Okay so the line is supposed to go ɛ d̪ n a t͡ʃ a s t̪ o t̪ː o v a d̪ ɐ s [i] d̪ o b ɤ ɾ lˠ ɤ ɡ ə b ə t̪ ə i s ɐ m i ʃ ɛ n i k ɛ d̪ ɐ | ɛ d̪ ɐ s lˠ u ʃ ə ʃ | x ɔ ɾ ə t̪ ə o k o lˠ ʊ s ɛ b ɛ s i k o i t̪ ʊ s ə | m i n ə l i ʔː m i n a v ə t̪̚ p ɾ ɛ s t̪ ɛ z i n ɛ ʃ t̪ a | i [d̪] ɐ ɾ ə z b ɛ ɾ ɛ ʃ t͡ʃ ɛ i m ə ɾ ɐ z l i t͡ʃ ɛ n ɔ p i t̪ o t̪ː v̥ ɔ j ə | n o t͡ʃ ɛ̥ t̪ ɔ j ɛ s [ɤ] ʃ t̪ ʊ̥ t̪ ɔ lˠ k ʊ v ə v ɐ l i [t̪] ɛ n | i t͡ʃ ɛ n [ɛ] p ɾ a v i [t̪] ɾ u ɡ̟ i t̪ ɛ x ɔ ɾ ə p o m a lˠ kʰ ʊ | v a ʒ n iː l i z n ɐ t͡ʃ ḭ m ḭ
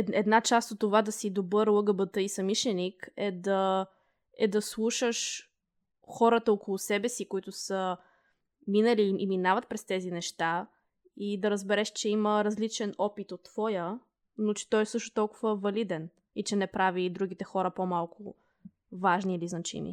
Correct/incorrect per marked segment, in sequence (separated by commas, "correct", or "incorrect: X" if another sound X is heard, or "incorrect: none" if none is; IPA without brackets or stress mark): correct, correct, correct, incorrect: d̪, correct, incorrect: d̪